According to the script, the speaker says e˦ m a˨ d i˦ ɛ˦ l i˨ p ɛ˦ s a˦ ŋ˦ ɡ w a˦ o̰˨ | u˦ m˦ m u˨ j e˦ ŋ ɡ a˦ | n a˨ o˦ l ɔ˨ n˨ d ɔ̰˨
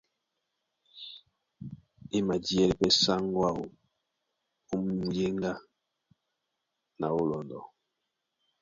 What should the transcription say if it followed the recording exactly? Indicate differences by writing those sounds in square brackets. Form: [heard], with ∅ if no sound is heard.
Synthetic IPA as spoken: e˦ m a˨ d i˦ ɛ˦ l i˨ p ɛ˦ s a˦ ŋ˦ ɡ w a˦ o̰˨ | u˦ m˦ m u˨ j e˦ ŋ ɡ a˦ | n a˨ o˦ l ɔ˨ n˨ d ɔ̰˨